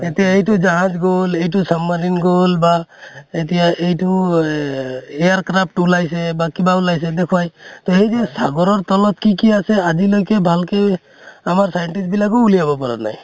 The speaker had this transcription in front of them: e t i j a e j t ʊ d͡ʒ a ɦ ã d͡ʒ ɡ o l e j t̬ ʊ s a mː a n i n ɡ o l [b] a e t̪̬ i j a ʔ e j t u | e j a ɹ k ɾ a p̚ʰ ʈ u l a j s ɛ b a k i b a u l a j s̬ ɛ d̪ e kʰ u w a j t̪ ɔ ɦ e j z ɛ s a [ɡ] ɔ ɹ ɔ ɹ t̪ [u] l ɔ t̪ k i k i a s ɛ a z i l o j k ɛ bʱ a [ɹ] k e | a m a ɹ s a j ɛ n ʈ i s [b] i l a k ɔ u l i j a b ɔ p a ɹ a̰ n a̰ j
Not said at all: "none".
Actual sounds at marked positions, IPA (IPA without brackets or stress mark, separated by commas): b, ɡ, ɔ, l, b